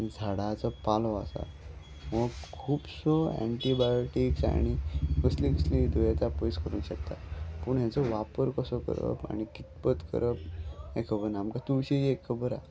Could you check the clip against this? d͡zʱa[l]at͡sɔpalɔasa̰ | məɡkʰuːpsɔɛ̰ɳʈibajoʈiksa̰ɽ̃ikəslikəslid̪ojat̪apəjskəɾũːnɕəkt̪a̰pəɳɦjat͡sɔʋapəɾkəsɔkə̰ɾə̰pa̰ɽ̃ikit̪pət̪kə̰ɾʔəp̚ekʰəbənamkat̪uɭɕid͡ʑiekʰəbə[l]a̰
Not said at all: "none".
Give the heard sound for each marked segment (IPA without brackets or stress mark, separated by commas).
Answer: ɽ, ɾ